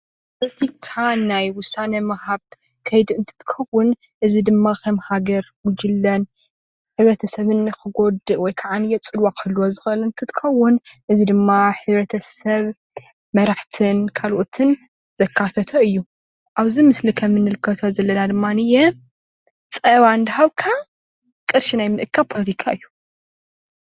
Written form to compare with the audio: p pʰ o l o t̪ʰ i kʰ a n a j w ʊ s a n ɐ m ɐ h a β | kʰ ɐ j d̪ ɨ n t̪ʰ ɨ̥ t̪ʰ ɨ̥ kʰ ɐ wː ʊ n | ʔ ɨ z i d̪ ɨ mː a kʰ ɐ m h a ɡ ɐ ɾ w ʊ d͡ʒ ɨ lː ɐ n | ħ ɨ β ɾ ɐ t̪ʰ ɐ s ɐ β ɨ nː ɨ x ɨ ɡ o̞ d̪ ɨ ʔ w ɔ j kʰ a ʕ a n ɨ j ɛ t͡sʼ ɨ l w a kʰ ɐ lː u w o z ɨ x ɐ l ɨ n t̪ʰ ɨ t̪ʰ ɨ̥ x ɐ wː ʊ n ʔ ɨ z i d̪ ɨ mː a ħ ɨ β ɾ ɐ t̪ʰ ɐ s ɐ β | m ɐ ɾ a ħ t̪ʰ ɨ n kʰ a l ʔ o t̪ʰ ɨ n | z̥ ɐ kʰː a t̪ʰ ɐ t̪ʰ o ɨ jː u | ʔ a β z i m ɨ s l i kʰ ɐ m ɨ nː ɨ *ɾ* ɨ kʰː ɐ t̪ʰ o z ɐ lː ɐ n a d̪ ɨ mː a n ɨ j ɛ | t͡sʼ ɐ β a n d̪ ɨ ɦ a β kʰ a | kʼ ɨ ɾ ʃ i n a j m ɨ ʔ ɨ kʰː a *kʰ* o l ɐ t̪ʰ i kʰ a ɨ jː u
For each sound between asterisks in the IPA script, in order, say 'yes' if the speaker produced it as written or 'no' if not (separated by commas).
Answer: no, no